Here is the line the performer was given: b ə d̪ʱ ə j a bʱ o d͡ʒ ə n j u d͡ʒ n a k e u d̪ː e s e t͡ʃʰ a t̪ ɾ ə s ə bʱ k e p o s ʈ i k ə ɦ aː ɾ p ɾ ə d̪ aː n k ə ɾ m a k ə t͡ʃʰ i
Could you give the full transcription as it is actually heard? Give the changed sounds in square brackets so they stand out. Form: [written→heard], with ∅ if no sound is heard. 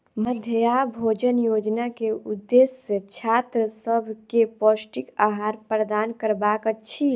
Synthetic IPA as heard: [b→m] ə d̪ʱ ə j a bʱ o d͡ʒ ə n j [u→o] d͡ʒ n a k e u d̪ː e s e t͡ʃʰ a t̪ ɾ ə s ə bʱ k e p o s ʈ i k [ə→a] ɦ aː ɾ p ɾ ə d̪ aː n k ə ɾ [m→b] a k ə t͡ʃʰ i